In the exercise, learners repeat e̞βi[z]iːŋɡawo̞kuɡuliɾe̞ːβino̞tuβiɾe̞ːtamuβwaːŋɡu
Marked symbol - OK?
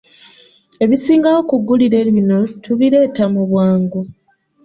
no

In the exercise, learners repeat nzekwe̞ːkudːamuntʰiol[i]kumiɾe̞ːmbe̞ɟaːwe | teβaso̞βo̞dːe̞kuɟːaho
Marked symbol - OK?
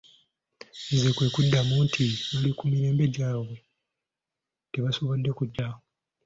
yes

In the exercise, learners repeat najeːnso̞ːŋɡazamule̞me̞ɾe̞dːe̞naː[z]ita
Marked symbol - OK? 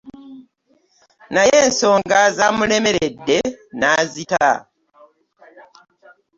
yes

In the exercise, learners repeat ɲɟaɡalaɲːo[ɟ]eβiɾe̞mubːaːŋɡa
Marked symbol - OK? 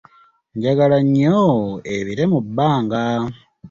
no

